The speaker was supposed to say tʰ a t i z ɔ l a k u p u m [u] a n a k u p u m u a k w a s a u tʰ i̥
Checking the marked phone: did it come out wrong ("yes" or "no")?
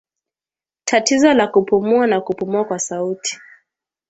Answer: no